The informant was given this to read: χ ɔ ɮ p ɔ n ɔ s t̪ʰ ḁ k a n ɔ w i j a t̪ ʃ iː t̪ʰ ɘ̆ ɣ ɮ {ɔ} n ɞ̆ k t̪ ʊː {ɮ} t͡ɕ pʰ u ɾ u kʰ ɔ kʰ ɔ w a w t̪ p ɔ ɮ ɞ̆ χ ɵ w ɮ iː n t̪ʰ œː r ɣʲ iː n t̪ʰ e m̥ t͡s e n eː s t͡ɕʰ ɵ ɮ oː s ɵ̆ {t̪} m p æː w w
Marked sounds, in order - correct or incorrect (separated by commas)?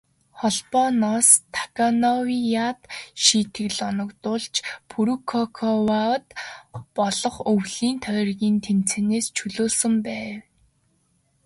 correct, correct, incorrect